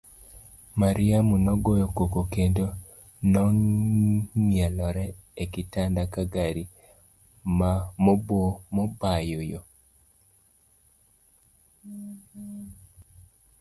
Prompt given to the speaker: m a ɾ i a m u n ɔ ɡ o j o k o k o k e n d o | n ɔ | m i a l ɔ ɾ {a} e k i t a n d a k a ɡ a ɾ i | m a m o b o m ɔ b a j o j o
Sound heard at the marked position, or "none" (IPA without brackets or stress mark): ɛ